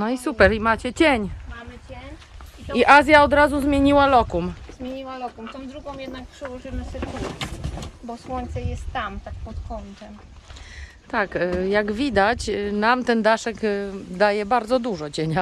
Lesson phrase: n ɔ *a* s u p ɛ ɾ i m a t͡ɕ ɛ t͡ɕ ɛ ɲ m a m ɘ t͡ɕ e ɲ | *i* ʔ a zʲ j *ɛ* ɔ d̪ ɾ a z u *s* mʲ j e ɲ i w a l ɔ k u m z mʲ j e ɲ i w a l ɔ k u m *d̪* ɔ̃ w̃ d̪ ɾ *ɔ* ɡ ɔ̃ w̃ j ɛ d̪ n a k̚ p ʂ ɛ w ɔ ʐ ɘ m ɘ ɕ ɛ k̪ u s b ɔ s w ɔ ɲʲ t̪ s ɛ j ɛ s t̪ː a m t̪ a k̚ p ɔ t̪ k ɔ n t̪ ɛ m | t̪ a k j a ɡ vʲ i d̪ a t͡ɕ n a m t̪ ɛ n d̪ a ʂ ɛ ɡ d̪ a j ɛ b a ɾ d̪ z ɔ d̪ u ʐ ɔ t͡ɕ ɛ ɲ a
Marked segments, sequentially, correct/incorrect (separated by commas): incorrect, correct, incorrect, incorrect, incorrect, incorrect